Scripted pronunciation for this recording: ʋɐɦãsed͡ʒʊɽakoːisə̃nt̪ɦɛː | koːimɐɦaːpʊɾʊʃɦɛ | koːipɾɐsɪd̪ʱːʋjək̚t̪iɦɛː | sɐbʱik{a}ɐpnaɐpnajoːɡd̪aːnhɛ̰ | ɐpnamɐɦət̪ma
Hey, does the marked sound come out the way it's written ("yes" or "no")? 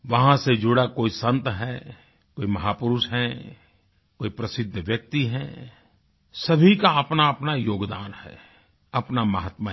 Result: yes